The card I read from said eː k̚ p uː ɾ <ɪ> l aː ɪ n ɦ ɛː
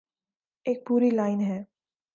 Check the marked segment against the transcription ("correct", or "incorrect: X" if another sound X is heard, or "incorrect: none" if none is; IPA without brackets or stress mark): incorrect: i